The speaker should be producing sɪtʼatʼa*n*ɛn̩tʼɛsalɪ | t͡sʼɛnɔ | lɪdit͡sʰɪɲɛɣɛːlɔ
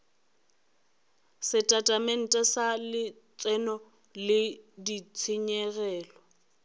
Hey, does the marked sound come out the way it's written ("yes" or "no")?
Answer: no